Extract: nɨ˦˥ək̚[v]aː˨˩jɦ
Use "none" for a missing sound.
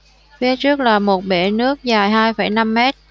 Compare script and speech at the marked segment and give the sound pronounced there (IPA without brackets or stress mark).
z